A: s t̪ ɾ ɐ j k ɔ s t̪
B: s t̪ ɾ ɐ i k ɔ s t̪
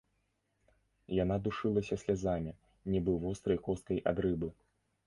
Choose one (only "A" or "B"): A